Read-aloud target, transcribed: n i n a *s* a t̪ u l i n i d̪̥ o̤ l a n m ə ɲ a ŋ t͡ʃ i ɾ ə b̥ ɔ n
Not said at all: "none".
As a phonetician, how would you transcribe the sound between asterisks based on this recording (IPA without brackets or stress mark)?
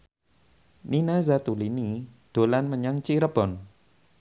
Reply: z